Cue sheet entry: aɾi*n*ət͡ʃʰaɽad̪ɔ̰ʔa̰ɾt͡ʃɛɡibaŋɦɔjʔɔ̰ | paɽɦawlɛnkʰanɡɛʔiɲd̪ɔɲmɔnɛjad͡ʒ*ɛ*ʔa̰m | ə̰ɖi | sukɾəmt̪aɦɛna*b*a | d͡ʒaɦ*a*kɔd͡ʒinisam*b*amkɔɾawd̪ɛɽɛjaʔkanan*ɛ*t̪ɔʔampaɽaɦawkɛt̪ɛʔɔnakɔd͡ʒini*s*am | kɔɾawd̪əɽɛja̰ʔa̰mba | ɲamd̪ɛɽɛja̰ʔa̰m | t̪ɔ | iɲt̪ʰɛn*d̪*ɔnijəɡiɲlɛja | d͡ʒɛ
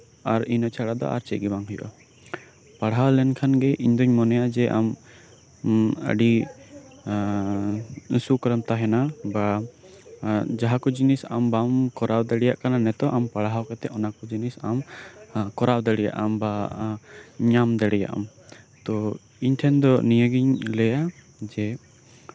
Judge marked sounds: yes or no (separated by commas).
yes, yes, yes, yes, yes, yes, yes, yes